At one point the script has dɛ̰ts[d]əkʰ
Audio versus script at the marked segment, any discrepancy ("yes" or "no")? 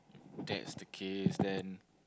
no